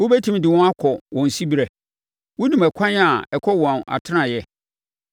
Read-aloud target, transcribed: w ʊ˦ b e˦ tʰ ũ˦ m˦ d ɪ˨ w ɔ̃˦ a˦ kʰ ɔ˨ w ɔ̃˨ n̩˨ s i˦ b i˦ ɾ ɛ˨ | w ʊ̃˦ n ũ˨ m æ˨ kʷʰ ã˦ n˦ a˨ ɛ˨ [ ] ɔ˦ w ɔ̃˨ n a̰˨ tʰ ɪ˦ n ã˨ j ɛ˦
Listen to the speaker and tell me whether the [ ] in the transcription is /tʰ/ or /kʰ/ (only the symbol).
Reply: kʰ